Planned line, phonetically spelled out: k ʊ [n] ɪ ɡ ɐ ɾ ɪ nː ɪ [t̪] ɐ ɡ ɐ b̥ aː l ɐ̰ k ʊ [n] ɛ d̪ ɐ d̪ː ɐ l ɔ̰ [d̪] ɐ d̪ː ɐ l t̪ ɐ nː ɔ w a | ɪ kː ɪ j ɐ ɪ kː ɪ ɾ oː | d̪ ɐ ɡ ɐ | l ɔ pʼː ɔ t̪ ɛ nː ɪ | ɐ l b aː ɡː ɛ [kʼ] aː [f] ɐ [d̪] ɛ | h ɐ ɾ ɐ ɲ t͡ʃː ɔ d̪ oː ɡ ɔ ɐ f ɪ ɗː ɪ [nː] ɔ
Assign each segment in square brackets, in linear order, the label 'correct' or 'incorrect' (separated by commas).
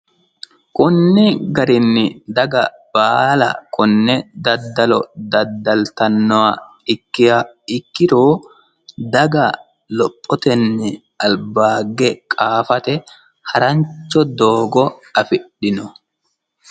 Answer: incorrect, incorrect, incorrect, correct, correct, correct, incorrect, incorrect